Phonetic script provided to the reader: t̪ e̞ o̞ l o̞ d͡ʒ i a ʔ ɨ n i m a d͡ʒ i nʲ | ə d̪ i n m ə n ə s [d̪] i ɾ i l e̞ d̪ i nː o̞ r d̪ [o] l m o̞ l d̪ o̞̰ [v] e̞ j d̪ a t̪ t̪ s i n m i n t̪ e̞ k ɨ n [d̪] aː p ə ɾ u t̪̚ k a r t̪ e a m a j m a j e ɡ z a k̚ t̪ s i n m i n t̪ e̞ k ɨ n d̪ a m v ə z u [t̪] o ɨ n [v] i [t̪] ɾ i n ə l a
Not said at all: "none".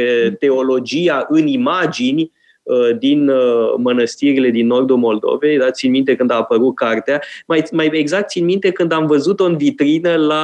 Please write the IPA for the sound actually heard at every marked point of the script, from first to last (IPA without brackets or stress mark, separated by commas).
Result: t̪, u, v, d̪, t̪, v, t̪